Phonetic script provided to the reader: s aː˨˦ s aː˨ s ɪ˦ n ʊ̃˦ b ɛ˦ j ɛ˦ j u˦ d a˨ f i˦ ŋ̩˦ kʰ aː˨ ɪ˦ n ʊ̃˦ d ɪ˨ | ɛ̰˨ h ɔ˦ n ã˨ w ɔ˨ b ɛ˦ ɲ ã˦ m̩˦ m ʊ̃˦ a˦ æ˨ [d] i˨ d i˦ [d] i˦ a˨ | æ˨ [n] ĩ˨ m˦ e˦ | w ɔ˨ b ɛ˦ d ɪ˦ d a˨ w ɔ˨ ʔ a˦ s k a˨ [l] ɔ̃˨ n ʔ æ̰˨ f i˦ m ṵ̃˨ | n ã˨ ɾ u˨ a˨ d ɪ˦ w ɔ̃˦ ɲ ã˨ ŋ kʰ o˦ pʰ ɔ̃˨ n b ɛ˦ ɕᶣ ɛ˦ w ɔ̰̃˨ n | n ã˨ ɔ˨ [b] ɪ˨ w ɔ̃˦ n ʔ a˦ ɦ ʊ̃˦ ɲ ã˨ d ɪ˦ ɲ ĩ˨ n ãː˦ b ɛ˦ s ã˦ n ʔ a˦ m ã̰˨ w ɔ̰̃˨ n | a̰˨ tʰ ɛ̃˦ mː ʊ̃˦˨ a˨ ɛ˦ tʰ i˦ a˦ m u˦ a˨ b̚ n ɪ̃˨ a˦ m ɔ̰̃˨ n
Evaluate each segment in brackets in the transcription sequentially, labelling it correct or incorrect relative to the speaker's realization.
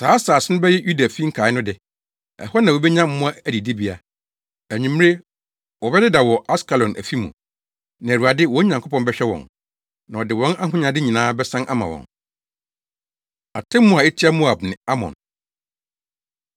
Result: correct, incorrect: b, incorrect: ɲ, correct, incorrect: d

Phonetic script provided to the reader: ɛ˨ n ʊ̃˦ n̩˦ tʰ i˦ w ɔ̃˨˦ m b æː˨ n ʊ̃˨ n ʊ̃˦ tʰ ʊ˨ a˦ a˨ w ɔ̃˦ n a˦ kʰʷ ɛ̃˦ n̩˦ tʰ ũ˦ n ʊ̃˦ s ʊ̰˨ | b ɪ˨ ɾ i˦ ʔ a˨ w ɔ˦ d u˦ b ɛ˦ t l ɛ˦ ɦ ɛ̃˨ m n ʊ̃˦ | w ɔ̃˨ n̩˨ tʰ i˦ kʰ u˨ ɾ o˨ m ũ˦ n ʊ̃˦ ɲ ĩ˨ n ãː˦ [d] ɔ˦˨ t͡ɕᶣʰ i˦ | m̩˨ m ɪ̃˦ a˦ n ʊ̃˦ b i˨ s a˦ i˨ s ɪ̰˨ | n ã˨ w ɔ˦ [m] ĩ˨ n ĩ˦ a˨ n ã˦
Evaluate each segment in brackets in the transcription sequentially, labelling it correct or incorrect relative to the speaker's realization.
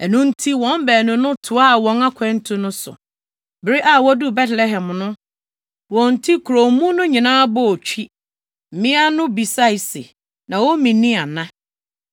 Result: incorrect: b, correct

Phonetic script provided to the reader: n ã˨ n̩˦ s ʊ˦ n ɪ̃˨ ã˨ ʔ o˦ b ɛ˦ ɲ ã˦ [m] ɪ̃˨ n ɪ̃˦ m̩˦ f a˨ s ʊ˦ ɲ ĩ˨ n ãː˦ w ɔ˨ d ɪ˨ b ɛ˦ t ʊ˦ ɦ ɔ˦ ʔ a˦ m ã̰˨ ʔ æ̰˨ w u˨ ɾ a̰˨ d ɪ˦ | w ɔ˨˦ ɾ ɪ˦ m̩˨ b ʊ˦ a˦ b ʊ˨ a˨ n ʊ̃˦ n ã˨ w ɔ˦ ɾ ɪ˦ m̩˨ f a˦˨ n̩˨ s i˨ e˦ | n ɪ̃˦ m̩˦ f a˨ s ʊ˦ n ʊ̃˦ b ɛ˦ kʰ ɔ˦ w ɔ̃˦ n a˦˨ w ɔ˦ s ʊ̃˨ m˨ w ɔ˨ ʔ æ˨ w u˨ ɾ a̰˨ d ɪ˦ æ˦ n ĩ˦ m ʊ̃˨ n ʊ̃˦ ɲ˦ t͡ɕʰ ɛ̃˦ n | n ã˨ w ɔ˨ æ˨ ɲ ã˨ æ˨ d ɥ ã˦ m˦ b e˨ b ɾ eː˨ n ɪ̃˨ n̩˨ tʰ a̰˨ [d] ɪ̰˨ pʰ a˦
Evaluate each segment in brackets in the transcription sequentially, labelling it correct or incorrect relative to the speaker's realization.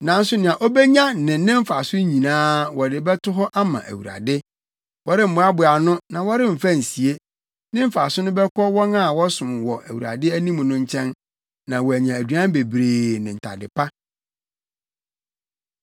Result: incorrect: n, correct

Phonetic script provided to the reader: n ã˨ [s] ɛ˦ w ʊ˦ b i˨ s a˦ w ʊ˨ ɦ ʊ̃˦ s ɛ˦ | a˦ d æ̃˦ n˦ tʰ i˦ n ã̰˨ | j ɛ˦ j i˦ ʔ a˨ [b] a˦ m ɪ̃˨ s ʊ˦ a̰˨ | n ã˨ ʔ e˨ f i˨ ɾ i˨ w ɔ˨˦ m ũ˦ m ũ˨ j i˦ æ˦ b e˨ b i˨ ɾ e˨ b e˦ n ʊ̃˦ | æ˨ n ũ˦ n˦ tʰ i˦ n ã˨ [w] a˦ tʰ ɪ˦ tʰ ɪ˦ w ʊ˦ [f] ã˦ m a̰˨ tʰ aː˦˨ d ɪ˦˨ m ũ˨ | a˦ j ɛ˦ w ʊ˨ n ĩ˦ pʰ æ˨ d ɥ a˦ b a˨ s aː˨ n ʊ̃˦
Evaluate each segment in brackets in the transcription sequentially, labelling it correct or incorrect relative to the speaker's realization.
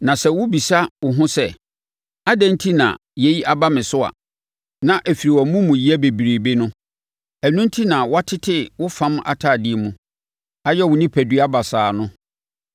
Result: correct, correct, correct, correct

